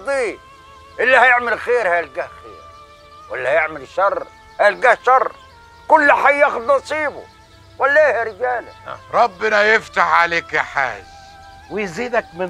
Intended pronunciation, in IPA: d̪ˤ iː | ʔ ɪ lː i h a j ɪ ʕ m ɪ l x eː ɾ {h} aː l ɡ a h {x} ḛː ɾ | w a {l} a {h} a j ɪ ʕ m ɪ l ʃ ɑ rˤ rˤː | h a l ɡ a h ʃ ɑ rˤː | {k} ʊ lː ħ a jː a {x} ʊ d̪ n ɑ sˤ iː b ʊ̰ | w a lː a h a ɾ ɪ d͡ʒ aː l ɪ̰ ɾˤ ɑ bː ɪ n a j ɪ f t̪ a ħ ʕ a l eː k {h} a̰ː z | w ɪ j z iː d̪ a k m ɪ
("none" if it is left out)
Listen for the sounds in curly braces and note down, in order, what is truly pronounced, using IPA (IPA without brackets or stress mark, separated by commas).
h, x, lː, h, k, x, ħ